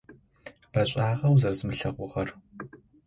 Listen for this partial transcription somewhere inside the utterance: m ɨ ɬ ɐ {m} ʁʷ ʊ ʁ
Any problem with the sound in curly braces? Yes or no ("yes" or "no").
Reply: yes